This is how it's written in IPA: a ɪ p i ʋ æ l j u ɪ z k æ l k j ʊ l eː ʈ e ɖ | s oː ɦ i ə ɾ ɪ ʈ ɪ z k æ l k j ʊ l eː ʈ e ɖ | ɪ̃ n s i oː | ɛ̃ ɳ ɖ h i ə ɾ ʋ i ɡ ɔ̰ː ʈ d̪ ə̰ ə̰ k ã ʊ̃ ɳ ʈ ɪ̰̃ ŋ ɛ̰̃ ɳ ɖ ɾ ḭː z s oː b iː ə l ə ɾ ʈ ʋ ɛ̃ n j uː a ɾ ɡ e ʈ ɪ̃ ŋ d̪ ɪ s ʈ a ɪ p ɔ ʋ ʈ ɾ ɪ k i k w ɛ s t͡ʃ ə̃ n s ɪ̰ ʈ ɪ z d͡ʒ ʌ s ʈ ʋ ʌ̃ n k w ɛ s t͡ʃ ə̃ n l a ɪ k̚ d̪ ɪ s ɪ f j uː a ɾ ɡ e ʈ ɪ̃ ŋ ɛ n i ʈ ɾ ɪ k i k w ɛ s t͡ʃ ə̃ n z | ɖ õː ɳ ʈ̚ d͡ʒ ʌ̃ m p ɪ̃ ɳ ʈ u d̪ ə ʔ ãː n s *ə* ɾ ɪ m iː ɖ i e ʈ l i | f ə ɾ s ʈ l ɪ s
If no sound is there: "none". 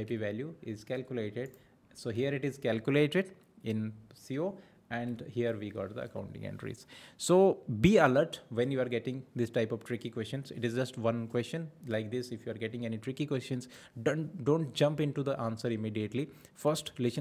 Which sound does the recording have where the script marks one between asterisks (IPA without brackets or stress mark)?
ə